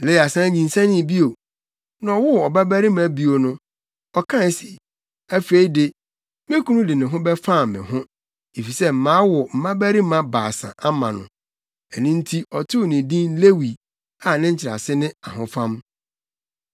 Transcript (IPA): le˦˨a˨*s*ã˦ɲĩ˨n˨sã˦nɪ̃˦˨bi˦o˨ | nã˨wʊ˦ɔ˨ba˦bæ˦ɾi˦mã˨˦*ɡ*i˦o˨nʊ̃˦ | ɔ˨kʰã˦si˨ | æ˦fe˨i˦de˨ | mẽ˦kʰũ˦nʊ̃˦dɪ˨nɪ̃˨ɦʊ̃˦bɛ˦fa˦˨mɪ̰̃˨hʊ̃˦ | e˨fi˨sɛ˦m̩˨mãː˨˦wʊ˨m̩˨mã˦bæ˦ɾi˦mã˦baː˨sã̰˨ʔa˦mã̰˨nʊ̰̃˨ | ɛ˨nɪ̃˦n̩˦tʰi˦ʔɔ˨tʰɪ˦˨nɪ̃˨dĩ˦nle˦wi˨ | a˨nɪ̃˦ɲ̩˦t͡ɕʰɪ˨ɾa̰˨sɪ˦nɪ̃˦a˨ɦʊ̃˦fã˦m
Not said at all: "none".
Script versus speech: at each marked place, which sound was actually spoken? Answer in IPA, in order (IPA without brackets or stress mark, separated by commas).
s, b